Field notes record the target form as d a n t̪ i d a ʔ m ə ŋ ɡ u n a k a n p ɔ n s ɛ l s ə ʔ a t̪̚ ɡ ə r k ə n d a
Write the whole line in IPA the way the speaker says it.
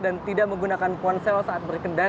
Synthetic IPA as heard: d a n t̪ i d a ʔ m ə ŋ ɡ u n a k a n p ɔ n s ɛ l s a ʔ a t̪̚ b ə r k ə n d a